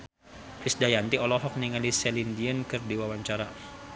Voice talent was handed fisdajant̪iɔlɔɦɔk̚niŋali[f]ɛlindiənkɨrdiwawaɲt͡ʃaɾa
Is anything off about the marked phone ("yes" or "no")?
yes